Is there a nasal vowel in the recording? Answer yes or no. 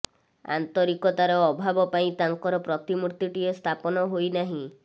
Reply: yes